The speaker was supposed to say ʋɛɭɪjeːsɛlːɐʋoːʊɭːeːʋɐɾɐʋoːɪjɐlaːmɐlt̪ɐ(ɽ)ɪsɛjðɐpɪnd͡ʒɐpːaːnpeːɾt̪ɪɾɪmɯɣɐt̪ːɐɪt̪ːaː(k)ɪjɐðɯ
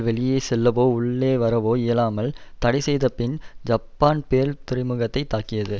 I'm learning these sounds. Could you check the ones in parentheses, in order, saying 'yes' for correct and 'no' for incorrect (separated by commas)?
yes, yes